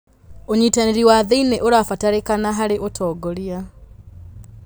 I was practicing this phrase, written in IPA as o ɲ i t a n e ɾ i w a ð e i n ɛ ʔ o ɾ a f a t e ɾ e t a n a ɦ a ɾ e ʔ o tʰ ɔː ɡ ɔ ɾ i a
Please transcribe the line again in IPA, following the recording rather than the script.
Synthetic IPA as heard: o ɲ i t a n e ɾ i w a ð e i n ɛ ʔ o ɾ a f a t a ɾ e k a n a ɦ a ɾ e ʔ o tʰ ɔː ɡ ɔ ɾ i a